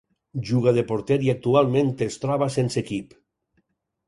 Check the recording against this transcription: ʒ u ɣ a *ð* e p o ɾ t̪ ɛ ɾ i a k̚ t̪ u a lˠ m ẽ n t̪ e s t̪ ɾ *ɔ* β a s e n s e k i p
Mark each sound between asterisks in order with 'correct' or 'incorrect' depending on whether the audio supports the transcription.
correct, correct

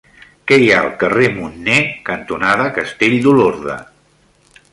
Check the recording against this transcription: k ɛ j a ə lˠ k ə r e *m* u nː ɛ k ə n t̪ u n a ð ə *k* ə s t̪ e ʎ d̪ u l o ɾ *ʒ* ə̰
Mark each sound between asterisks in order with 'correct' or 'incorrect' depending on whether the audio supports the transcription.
correct, correct, incorrect: ð

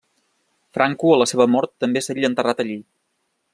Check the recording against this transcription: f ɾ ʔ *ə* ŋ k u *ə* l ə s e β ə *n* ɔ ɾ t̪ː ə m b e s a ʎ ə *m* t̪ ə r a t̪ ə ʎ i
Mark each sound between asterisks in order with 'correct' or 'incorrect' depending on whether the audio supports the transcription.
incorrect: a, correct, incorrect: m, incorrect: n

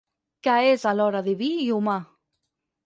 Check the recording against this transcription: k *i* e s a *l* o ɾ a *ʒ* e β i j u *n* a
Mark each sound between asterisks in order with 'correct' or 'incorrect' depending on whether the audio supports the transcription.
incorrect: a, correct, incorrect: ð, incorrect: m

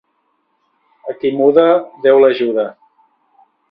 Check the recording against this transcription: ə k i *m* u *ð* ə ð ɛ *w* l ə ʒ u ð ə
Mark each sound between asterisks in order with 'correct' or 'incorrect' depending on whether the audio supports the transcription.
correct, correct, correct

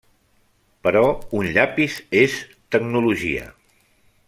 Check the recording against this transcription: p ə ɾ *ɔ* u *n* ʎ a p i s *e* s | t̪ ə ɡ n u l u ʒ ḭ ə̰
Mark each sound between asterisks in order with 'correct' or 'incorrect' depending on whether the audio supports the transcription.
correct, correct, correct

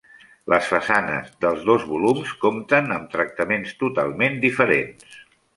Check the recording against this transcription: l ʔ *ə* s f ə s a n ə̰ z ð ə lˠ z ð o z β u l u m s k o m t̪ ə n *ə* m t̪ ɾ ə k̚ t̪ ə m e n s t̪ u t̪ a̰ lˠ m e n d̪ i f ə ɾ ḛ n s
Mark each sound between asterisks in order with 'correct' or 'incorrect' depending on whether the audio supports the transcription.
correct, correct

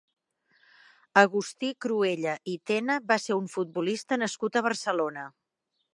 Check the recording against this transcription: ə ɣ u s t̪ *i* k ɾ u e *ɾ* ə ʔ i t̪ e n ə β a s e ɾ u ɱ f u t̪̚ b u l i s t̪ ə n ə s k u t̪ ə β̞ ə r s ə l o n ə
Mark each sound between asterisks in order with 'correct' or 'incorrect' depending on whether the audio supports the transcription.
correct, incorrect: ʎ

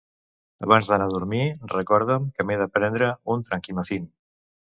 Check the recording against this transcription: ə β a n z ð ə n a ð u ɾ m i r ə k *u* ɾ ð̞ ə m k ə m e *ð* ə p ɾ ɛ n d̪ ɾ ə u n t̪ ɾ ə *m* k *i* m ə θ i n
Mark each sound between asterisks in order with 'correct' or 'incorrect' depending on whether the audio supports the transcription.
incorrect: ɔ, correct, incorrect: ŋ, correct

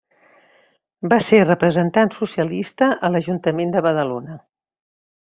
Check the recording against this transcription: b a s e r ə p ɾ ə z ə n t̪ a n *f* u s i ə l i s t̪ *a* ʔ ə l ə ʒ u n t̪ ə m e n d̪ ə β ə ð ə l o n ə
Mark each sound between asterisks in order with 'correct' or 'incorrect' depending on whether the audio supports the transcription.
incorrect: s, incorrect: ə

